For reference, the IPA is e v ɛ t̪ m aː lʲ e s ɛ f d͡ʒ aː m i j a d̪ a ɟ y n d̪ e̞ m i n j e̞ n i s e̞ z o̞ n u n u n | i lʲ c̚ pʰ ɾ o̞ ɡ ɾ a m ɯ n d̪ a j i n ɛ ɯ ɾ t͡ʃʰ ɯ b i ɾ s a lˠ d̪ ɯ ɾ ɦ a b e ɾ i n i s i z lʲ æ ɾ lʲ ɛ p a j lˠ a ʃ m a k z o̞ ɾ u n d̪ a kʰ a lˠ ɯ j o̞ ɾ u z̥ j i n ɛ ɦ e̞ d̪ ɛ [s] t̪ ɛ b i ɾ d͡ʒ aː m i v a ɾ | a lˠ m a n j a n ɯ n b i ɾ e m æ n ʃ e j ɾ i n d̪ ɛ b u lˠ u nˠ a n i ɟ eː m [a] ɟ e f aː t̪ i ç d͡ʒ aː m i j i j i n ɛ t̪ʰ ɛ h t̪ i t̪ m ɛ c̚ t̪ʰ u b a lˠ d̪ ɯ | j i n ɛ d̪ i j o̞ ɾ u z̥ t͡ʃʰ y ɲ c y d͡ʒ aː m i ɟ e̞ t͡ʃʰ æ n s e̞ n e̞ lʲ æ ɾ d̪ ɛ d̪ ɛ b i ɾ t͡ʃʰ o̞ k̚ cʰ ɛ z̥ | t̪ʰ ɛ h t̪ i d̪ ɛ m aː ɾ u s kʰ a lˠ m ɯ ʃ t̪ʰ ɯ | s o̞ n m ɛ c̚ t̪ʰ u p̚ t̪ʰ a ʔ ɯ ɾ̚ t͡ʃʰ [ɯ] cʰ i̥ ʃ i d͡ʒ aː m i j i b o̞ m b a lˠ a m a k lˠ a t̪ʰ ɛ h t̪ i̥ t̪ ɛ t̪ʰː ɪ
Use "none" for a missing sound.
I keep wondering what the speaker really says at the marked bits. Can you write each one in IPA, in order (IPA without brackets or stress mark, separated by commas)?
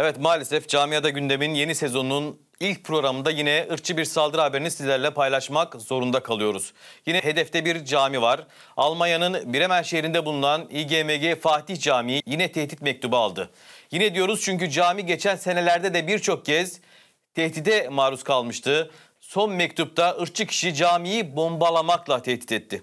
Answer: f, e, ɯ